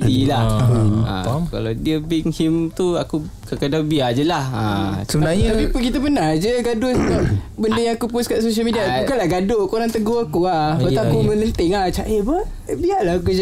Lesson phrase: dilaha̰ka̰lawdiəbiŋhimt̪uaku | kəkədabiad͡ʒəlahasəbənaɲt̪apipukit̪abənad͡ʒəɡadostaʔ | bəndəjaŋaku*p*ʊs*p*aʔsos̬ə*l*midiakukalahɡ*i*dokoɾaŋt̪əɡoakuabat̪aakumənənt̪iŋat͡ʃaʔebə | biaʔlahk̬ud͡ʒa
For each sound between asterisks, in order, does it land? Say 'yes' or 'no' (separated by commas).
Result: yes, no, yes, no